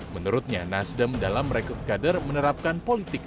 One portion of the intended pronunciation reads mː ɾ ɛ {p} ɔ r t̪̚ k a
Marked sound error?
yes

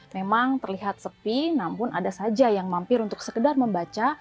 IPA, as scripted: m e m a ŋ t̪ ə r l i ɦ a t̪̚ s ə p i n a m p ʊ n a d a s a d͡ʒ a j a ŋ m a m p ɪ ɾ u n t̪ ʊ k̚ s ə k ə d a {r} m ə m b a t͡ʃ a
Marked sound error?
no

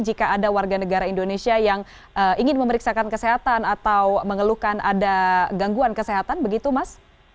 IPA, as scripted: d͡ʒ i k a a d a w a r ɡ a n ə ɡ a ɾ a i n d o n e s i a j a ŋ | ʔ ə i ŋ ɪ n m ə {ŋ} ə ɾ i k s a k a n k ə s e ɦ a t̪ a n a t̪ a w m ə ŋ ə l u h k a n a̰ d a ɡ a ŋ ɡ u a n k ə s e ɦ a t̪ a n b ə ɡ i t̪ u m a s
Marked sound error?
yes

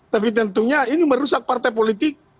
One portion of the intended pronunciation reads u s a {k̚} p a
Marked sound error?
no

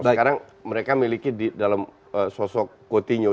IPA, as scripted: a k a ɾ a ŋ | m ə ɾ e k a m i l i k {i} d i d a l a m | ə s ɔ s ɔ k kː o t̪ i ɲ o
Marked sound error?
no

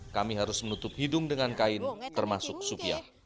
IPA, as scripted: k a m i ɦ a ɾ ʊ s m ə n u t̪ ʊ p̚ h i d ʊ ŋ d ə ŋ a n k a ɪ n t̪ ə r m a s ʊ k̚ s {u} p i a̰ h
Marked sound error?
no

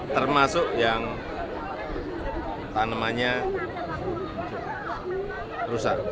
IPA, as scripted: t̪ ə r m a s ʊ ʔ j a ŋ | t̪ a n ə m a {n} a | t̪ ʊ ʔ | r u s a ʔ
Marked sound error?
yes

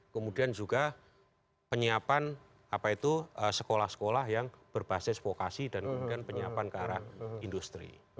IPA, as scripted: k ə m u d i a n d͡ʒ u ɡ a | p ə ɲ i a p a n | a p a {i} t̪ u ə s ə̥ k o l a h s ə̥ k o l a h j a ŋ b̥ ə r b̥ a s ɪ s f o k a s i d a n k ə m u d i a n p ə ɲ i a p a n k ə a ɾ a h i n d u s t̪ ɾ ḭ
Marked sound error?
no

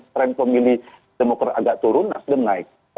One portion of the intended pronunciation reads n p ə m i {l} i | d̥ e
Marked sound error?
no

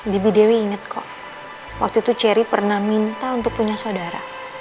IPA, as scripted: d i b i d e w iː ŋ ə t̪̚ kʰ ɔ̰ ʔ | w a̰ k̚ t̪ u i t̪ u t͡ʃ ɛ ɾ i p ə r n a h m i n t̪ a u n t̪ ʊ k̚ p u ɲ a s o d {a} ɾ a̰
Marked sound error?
no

